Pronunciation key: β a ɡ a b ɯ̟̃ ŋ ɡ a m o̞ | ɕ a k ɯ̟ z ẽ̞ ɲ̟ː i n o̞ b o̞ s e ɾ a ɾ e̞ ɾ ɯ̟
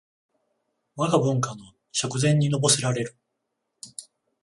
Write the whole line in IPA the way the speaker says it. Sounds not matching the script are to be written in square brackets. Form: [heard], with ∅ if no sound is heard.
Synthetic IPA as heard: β a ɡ a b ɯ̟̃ ŋ [k] a [n] o̞ | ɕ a k ɯ̟ z ẽ̞ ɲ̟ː i n o̞ b o̞ s e ɾ a ɾ e̞ ɾ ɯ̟